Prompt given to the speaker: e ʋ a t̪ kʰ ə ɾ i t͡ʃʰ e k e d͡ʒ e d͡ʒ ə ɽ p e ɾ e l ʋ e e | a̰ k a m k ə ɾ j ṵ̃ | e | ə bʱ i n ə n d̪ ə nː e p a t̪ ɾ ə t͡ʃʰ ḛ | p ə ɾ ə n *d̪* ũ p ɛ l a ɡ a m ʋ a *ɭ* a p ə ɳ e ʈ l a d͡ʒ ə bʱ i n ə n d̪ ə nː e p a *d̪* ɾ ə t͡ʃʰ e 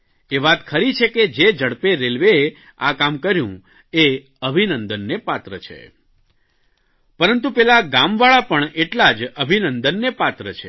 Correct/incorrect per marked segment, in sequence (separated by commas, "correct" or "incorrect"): incorrect, correct, incorrect